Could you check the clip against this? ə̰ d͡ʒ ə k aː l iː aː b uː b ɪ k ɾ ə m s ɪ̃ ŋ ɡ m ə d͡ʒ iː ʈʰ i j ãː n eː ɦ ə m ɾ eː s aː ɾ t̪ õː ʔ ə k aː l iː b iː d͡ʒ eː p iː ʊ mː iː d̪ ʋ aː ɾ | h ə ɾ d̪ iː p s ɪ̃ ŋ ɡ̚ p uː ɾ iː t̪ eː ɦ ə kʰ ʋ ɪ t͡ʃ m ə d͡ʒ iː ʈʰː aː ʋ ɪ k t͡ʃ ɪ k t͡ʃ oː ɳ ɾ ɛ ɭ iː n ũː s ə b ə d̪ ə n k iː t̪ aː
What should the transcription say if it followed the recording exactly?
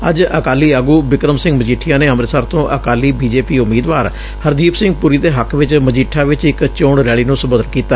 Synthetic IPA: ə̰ d͡ʒ ə k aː l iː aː ɡ uː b ɪ k ɾ ə m s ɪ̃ ŋ ɡ m ə d͡ʒ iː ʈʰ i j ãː n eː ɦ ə m ɾ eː s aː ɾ t̪ õː ʔ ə k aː l iː b iː d͡ʒ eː p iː ʊ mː iː d̪ ʋ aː ɾ | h ə ɾ d̪ iː p s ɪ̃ ŋ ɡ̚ p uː ɾ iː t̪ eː ɦ ə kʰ ʋ ɪ t͡ʃ m ə d͡ʒ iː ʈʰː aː ʋ ɪ t͡ʃ ɪ k t͡ʃ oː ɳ ɾ ɛː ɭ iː n ũː s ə b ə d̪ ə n k iː t̪ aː